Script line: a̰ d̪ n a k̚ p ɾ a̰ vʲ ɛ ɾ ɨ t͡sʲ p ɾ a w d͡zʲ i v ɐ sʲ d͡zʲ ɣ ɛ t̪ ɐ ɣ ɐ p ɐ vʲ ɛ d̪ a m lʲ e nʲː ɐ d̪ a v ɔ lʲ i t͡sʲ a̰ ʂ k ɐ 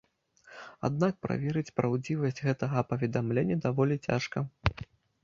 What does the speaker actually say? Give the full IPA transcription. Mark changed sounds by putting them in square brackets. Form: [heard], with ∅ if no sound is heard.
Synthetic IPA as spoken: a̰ d̪ n a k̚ p ɾ a̰ vʲ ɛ ɾ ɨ t͡sʲ p ɾ a w d͡zʲ i v ɐ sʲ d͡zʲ ɣ ɛ t̪ ɐ ɣ ɐ p ɐ vʲ ɛ d̪ a m lʲ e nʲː ɐ d̪ a v ɔ lʲ i t͡sʲ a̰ ʂ k ɐ